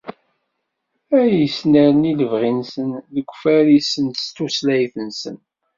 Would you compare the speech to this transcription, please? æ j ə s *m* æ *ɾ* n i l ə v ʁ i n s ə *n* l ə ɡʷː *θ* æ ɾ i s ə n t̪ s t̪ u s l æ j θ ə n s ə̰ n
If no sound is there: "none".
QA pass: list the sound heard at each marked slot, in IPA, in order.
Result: n, ɾ, n, f

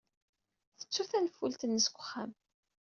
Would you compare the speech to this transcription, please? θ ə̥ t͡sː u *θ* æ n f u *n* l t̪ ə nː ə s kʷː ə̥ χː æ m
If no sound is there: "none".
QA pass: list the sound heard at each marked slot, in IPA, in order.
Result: θ, none

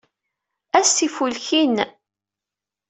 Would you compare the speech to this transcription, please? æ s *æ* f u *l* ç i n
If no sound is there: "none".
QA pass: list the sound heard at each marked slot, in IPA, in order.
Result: i, l

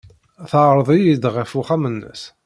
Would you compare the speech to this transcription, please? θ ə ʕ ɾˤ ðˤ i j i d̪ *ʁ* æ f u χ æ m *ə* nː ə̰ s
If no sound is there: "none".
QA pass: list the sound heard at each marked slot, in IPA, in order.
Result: ʁ, ə

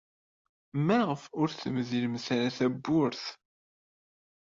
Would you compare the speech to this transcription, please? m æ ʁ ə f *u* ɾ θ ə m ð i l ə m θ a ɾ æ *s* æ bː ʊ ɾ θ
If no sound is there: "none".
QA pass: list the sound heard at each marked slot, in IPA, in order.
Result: ʊ, θ

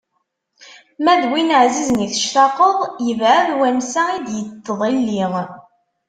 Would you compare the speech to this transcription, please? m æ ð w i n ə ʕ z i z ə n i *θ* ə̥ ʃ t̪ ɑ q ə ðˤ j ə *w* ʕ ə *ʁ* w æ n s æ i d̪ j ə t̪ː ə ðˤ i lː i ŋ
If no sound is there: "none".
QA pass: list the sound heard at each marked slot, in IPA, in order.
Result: θ, v, ð

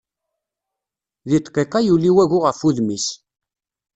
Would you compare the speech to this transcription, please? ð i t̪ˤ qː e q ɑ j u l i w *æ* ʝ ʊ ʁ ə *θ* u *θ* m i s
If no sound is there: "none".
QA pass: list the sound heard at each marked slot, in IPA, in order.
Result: æ, f, ð

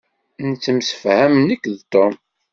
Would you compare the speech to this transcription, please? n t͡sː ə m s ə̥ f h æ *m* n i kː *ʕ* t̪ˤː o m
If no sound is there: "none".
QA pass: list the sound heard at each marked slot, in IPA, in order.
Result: m, ð

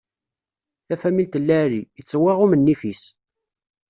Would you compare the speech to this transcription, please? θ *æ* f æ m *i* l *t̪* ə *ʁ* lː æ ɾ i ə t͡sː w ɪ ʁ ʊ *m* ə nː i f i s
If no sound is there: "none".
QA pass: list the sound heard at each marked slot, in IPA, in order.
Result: æ, i, t̪, none, m

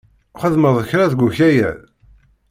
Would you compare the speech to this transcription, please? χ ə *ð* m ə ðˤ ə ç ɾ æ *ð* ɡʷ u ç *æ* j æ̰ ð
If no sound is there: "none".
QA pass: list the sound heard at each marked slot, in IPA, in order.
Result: ð, ð, æ

